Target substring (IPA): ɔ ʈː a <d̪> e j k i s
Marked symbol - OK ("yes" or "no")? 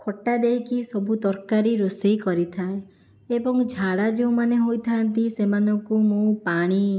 yes